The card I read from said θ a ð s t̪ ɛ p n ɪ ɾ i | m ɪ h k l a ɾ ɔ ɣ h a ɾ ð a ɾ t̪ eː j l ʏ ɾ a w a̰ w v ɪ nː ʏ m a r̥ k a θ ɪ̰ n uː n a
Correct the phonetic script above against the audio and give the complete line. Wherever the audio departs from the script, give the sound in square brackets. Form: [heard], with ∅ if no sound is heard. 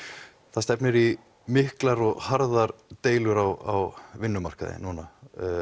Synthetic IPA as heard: θ a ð s t̪ ɛ p n ɪ ɾ i | m ɪ h k l a ɾ ɔ ɣ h a ɾ ð a ɾ t̪ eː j l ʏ ɾ a w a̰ w v ɪ nː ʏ m a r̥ k a [ð] ɪ̰ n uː n a

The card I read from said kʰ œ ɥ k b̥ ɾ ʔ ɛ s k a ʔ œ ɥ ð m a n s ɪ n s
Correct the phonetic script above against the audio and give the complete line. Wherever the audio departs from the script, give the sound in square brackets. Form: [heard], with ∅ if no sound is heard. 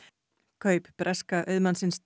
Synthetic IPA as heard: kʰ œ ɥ [p] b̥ ɾ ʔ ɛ s k a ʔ œ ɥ ð m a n s ɪ n s

